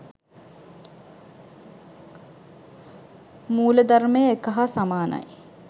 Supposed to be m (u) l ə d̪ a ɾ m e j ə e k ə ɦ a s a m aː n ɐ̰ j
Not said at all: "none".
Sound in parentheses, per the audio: uː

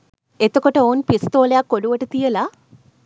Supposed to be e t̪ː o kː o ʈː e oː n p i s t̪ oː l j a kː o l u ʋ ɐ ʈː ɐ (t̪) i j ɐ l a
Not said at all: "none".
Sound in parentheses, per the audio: t̪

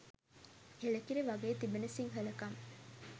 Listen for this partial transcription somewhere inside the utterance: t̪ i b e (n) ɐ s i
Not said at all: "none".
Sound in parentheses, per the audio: n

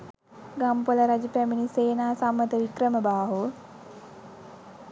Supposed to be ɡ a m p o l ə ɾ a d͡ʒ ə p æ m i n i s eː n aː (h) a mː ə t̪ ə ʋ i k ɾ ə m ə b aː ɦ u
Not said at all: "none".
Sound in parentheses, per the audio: s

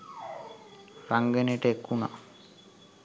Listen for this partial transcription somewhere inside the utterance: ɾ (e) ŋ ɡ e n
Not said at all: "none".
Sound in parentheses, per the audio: a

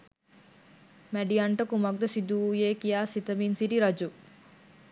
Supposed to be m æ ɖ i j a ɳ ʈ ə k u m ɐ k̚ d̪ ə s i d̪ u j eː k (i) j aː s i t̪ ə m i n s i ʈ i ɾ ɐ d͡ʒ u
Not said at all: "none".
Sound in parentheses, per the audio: i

